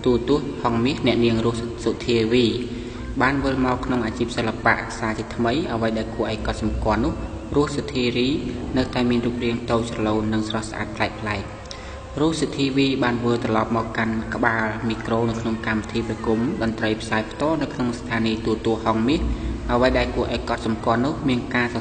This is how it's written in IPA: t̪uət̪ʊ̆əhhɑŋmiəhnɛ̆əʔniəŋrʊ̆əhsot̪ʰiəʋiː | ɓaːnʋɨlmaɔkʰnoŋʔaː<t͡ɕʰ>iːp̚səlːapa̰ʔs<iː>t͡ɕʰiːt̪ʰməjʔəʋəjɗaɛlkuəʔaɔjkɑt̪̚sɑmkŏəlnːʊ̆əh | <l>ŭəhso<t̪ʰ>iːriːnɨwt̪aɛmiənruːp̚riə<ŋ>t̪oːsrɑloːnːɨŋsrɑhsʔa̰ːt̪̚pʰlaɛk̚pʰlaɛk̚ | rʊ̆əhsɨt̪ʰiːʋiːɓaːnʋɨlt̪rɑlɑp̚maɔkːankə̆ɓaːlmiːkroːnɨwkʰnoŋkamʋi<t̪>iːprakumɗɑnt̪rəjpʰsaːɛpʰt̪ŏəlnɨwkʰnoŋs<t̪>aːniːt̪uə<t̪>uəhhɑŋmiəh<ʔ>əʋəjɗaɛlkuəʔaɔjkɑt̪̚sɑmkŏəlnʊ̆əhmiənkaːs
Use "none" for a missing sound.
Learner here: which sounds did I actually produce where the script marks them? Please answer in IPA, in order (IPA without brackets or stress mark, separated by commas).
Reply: t͡ɕ, aː, r, t̪ʰ, ŋ, t̪ʰ, t̪ʰ, t̪, ʔ